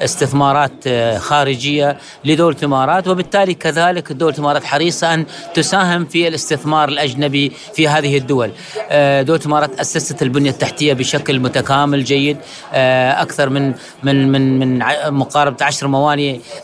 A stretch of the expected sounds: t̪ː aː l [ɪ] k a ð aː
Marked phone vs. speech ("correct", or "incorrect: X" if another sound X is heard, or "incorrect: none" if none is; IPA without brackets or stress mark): incorrect: i